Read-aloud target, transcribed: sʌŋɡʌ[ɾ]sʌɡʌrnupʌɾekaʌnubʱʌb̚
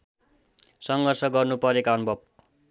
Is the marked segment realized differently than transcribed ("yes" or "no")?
yes